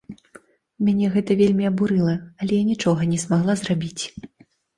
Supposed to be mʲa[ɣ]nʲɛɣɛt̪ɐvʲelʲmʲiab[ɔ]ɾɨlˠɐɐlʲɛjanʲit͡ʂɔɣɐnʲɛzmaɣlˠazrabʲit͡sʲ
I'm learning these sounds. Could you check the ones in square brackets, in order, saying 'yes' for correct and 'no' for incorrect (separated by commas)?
no, no